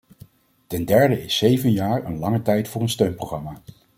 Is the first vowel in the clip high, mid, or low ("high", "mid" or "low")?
mid